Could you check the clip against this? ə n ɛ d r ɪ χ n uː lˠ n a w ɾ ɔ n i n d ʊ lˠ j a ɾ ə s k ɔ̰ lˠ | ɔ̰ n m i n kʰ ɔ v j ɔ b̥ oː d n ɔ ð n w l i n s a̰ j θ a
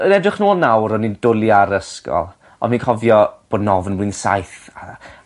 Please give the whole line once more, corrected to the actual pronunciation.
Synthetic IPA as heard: ə n ɛ d r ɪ χ n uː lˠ n a w ɾ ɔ n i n d ʊ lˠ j a ɾ ə s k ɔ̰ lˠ | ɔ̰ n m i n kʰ ɔ v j ɔ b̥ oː d n ɔ v n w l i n s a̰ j θ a